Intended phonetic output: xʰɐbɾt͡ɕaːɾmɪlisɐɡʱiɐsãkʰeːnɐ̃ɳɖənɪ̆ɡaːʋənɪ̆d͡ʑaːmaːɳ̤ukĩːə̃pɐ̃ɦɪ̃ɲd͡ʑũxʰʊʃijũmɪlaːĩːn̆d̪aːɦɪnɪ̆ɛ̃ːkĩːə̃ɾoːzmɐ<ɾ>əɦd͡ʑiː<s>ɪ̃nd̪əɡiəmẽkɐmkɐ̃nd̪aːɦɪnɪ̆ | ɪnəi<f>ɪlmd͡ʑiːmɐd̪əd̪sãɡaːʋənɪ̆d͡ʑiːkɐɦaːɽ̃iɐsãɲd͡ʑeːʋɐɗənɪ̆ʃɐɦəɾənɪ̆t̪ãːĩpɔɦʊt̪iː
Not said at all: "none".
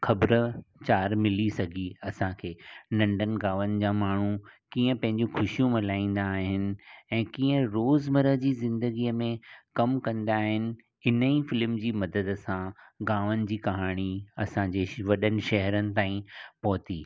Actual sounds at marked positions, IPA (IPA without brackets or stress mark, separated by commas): ɾ, z, f